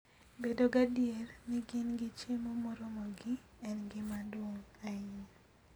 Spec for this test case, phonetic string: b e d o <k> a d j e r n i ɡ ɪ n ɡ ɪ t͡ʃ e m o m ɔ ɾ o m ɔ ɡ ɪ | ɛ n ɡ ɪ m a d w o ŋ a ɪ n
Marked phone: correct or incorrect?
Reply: incorrect